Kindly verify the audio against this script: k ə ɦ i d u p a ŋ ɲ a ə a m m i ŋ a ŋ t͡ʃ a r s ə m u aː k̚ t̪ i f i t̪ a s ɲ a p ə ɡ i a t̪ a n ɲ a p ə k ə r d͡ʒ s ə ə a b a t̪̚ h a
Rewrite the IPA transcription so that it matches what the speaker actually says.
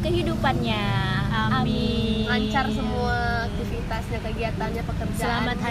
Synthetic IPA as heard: k ə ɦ i d u p a n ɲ a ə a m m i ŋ a ɲ t͡ʃ a r s ə m u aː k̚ t̪ i f i t̪ a s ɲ a k ə ɡ i a t̪ a n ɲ a p ə k ə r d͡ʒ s a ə a m a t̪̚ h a